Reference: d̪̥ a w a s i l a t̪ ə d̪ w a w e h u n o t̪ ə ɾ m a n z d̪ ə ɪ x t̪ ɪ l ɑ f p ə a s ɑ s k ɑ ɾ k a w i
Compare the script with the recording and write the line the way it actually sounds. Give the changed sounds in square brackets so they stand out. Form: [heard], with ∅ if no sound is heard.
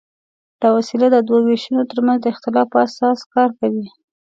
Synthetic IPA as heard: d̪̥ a w a s i l a [d̪] ə d̪ w a w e [ʃ] u n o t̪ ə ɾ m a n z d̪ ə ɪ x t̪ ɪ l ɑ f p ə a s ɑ s k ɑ ɾ k a w i